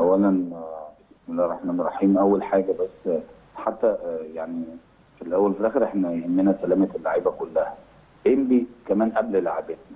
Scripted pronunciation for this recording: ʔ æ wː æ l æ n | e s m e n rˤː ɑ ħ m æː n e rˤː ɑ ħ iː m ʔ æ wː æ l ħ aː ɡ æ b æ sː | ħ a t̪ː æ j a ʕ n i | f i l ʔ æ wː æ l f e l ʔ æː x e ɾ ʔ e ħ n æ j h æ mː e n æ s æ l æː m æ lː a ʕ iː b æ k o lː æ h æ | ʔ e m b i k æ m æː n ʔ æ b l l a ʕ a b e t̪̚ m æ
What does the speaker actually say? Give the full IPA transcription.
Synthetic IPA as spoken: ʔ æ wː æ l æ n | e s m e n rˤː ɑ ħ m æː n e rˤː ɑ ħ iː m ʔ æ wː æ l ħ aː ɡ æ b æ sː | ħ a t̪ː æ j a ʕ n i | f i l ʔ æ wː æ l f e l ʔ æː x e ɾ ʔ e ħ n æ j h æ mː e n æ s æ l æː m æ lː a ʕ iː b æ k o lː æ h æ | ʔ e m b i k æ m æː n ʔ æ b l l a ʕ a b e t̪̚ n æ